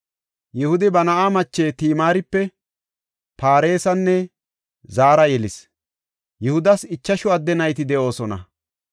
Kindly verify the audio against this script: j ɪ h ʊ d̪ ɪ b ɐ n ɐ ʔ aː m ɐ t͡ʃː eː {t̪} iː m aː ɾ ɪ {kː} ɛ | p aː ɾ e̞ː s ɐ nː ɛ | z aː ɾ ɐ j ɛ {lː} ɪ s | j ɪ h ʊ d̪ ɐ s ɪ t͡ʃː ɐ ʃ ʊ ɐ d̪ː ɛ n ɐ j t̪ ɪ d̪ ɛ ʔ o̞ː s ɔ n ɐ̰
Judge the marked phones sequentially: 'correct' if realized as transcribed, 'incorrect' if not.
correct, incorrect: pː, incorrect: l

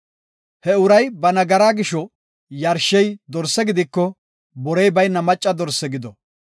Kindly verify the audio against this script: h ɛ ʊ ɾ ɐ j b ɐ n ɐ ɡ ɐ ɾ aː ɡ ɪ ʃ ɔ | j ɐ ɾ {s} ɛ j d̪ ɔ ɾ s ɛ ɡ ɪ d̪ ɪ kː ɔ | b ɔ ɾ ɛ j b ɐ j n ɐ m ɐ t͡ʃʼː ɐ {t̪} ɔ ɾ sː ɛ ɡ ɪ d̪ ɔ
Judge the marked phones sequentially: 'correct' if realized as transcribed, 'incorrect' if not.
incorrect: ʃ, incorrect: d̪

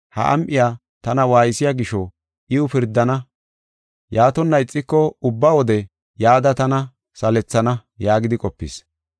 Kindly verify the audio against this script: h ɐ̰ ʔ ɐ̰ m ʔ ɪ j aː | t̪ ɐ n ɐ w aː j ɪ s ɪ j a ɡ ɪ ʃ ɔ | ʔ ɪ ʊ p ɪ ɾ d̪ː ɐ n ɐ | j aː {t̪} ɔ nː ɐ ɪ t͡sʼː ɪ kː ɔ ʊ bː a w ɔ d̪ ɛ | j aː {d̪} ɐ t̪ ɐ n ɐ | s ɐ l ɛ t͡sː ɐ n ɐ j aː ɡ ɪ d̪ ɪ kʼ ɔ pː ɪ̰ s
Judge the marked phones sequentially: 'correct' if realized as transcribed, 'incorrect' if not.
correct, correct

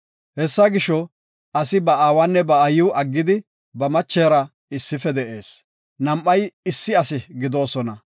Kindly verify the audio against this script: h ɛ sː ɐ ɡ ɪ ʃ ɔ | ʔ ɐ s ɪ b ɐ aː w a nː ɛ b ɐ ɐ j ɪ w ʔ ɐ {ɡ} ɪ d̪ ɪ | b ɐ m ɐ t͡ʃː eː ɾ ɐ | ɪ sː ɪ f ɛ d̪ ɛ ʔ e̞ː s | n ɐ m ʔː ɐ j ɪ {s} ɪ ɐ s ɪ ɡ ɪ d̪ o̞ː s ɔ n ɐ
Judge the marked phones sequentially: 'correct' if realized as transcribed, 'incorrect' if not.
incorrect: ɡː, incorrect: sː

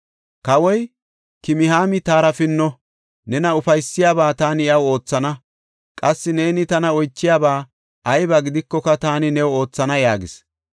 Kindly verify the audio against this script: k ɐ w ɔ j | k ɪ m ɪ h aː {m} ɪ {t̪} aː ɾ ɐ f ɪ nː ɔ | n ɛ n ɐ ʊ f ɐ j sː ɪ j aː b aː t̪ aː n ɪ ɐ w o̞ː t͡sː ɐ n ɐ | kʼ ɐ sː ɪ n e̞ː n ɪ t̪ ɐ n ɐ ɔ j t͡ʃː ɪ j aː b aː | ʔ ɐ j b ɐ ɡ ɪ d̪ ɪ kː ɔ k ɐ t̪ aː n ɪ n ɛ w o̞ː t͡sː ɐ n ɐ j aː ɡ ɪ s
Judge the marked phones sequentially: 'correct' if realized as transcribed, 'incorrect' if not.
correct, correct

